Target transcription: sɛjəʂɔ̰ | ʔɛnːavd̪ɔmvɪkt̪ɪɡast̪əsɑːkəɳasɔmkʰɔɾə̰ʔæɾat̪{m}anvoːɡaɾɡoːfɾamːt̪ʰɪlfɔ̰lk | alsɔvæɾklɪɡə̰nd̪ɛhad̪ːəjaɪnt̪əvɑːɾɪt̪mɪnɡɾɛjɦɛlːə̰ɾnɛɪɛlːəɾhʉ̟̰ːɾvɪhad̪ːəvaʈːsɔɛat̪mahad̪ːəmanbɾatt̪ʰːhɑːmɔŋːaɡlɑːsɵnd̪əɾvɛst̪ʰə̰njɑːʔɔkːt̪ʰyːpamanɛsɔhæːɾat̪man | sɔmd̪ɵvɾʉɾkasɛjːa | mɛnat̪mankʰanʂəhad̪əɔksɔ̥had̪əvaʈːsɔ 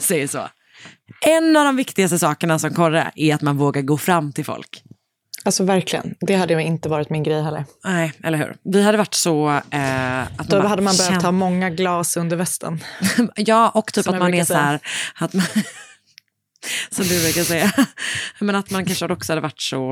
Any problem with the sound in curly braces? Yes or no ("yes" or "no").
no